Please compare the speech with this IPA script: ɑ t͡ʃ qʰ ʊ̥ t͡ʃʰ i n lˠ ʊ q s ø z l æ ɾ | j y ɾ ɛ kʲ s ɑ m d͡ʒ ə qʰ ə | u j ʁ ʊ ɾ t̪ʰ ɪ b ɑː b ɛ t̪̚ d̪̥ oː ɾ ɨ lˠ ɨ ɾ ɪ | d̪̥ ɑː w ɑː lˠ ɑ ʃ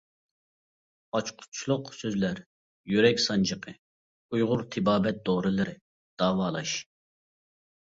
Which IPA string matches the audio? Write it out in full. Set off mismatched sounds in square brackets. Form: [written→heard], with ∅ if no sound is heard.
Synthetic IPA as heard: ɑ t͡ʃ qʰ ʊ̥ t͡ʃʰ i [n→∅] lˠ ʊ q s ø z l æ ɾ | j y ɾ ɛ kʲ s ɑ [m→n] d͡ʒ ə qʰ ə | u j ʁ ʊ ɾ t̪ʰ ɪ b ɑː b ɛ t̪̚ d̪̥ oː ɾ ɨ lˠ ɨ ɾ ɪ | d̪̥ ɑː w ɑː lˠ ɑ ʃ